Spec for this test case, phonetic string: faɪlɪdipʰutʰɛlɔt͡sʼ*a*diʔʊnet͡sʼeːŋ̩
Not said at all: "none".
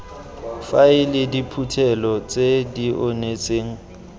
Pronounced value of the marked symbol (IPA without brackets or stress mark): e